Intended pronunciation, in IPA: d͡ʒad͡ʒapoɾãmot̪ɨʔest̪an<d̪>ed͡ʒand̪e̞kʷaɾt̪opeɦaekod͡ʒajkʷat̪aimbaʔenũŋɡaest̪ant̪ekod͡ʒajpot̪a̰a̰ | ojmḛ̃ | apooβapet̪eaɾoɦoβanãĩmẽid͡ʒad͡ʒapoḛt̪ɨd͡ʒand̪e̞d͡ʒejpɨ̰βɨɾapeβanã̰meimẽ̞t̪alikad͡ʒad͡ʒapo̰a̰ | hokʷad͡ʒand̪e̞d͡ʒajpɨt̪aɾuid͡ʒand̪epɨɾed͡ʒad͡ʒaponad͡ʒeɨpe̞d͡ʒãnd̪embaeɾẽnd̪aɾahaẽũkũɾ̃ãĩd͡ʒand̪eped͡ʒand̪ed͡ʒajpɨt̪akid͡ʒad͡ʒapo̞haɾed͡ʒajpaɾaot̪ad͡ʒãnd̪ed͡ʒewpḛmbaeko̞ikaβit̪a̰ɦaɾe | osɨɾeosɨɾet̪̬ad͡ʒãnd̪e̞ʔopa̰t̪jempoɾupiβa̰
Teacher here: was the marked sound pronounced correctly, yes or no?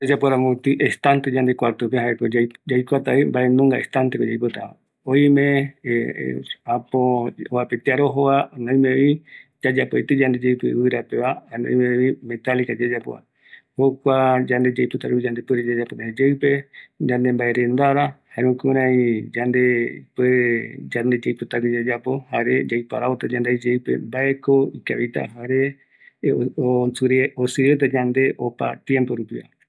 no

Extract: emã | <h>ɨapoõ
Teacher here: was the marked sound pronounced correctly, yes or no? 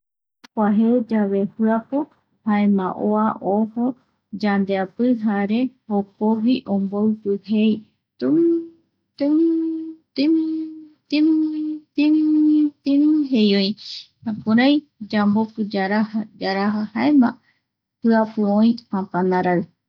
yes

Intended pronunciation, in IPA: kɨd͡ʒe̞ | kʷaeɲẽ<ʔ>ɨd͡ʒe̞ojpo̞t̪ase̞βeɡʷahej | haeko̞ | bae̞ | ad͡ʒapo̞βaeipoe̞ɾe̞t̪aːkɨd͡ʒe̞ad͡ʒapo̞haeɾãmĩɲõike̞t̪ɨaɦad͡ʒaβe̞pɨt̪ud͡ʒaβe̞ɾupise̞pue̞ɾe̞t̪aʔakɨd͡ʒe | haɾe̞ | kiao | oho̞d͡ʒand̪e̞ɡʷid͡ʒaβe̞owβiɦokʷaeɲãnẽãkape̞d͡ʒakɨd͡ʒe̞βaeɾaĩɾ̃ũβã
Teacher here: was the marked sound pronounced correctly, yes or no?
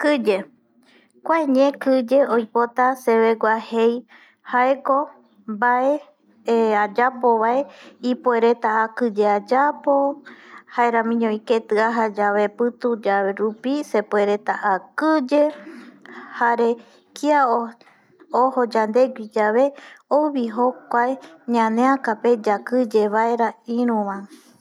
no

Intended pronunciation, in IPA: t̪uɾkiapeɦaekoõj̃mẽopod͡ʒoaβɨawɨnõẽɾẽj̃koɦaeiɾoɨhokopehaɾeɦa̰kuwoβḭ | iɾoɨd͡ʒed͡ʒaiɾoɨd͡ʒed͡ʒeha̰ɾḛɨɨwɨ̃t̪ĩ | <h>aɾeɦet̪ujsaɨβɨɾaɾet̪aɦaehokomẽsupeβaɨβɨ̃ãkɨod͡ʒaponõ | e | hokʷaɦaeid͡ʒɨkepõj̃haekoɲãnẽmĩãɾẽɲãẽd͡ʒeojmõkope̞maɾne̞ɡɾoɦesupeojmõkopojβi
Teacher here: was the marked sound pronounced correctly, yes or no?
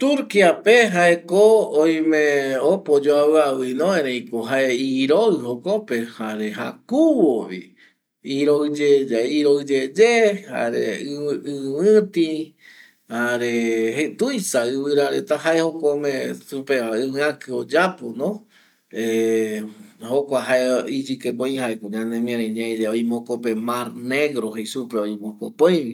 yes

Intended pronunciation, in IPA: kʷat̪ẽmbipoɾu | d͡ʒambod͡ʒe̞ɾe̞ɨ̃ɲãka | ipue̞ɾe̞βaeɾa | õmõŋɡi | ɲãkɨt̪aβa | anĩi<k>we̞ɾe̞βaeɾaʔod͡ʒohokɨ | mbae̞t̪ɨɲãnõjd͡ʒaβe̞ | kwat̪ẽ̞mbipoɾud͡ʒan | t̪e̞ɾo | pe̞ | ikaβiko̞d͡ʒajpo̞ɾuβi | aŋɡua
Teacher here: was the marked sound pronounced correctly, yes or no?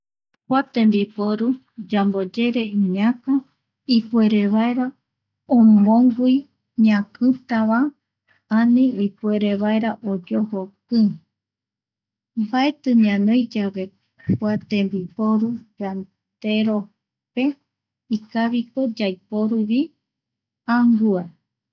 no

